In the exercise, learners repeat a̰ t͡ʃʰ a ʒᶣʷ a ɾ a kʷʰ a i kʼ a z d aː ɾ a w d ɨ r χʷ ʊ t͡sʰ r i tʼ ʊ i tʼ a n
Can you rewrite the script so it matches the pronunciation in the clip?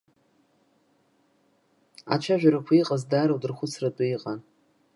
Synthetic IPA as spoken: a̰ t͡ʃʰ a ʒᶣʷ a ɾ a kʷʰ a i qʼ a z d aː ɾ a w d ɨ r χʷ ʊ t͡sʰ r a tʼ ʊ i qʼ a n